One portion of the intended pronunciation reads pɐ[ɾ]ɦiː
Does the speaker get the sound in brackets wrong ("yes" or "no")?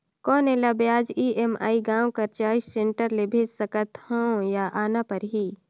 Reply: no